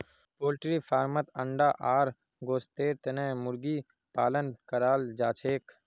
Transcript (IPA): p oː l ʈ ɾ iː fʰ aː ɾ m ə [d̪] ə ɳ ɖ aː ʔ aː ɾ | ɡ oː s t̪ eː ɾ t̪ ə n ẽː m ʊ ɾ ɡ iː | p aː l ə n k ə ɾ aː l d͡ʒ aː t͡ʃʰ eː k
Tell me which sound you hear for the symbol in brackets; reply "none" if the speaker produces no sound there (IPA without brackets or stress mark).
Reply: t̪